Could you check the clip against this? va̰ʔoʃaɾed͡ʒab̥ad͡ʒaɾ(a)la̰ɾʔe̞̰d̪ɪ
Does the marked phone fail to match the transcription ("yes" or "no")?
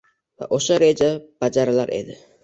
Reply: no